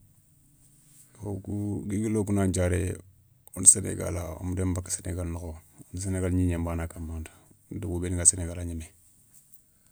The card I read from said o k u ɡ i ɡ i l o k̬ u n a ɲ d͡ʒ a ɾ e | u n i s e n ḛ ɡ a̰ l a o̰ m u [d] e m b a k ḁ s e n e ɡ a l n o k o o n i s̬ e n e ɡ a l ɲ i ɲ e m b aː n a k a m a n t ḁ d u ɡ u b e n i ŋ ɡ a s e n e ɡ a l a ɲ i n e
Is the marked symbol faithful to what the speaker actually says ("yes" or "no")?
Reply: yes